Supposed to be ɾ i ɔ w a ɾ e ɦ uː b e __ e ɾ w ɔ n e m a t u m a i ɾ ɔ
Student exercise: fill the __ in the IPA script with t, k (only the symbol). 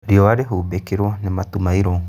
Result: k